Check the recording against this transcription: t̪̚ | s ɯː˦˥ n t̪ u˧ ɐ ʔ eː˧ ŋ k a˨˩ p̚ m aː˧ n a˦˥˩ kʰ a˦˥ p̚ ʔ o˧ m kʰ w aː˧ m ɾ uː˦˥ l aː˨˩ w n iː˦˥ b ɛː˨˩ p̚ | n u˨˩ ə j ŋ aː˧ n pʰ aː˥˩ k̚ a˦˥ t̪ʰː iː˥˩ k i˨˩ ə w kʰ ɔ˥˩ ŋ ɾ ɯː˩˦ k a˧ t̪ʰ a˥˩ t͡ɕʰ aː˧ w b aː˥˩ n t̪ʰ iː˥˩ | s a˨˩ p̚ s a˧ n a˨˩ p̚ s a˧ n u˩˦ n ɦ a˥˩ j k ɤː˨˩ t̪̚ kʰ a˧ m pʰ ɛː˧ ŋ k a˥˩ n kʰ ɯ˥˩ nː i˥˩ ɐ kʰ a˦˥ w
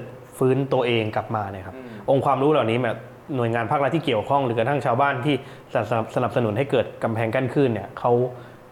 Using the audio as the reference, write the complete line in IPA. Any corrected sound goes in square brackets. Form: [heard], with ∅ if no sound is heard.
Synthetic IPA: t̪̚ | [f] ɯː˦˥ n t̪ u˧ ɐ ʔ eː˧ ŋ k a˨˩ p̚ m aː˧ n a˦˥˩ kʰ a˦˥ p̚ ʔ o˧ [ŋ] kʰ w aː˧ m ɾ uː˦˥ l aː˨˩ w n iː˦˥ b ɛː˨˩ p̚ | n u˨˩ ə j ŋ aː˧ n pʰ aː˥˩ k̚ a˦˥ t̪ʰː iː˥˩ k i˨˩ ə w kʰ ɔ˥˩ ŋ ɾ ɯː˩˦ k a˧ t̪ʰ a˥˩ t͡ɕʰ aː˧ w b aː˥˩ n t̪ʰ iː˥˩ | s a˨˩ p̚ s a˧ n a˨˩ p̚ s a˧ n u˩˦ n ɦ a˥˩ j k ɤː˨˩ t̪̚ [k] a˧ m pʰ ɛː˧ ŋ k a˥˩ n kʰ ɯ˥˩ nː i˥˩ ɐ kʰ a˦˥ w